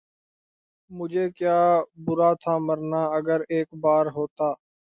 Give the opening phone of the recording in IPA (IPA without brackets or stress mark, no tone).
m